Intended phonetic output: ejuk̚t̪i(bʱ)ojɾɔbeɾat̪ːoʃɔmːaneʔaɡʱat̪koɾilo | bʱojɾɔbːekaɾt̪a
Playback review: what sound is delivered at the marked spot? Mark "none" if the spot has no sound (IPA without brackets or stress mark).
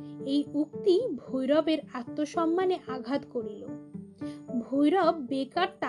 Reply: bʱ